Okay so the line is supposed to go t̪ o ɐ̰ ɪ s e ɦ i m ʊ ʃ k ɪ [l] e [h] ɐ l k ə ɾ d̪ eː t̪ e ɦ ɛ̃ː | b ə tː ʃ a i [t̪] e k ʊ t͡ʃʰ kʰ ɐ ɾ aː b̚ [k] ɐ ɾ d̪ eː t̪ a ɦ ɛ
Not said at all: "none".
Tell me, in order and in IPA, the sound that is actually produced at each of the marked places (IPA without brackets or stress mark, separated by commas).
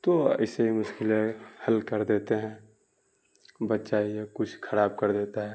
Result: l, h, none, k